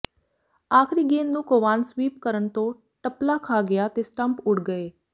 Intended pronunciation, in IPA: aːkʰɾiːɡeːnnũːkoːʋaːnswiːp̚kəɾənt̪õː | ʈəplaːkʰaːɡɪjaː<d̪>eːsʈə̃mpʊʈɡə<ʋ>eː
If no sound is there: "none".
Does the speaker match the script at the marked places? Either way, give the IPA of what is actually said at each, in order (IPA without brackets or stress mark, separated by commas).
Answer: t̪, none